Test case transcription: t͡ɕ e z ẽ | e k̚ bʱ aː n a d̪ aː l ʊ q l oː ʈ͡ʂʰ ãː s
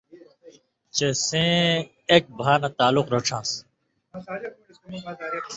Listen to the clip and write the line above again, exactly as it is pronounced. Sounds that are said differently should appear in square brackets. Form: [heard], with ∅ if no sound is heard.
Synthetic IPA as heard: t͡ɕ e [s] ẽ | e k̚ bʱ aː n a [t̪] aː l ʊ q [ɾ] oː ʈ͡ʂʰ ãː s